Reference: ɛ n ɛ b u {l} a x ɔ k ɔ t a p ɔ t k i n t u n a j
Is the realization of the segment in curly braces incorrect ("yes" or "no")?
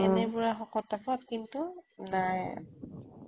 yes